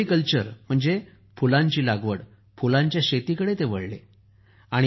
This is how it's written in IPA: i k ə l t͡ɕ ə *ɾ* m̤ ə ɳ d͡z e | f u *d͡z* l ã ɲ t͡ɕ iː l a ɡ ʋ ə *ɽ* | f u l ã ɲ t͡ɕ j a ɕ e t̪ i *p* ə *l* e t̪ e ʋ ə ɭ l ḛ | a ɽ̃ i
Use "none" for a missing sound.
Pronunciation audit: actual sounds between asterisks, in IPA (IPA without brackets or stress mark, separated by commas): ɾ, none, ɽ, k, ɽ